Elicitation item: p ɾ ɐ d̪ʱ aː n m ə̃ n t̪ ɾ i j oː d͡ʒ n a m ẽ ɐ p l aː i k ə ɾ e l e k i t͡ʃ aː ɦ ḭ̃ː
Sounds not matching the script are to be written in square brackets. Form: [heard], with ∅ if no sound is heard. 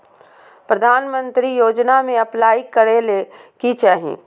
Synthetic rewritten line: p ɾ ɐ d̪ʱ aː n m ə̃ n t̪ ɾ i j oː d͡ʒ n a m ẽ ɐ p l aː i k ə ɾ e l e k i t͡ʃ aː ɦ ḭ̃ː